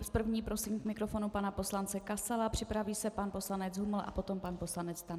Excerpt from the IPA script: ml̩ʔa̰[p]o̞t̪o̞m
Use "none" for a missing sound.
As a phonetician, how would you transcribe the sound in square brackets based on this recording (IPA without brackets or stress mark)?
p